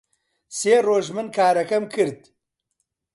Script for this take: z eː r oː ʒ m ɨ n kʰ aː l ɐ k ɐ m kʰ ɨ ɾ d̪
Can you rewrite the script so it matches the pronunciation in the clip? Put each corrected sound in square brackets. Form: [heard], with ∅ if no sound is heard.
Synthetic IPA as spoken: [s] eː r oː ʒ m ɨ n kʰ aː [ɾ] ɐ k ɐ m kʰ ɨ ɾ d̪